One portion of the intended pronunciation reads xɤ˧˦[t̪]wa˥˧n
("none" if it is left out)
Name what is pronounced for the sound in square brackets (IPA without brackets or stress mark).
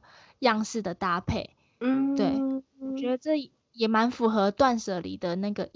t̪